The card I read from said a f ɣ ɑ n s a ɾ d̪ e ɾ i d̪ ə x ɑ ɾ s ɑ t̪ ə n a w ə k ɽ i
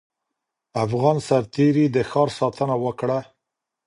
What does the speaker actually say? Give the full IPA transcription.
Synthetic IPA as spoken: a f ɣ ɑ n s a ɾ t̪ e ɾ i d̪ ə x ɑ ɾ s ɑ t̪ ə n a w ə k ɽ a